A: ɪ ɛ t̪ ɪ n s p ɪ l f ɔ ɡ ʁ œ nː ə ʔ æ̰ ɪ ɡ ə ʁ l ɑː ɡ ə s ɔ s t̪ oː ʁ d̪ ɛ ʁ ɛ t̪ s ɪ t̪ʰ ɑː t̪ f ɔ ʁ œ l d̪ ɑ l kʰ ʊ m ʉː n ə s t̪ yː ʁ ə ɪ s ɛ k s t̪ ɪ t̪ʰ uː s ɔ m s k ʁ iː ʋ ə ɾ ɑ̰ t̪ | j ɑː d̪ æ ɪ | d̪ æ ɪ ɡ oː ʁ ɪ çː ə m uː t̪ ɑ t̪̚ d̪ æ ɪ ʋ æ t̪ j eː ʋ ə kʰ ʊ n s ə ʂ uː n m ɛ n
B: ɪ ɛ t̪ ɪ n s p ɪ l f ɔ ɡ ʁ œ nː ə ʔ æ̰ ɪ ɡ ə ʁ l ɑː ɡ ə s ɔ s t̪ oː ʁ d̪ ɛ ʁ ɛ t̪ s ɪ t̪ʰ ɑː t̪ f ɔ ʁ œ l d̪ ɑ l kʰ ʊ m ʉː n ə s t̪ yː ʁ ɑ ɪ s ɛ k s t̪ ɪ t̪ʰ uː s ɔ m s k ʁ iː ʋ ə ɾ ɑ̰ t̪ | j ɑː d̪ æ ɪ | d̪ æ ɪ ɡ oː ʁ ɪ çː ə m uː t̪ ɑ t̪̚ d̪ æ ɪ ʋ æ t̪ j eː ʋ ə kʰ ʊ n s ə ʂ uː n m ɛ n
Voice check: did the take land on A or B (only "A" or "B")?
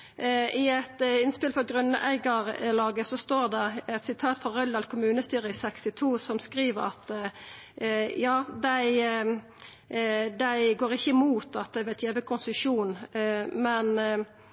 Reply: A